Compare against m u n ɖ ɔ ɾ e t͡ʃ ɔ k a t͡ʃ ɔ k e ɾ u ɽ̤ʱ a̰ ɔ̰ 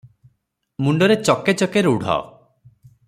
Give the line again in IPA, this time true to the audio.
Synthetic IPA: m u ɳ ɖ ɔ ɾ e t͡ʃ ɔ k e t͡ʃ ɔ k e ɾ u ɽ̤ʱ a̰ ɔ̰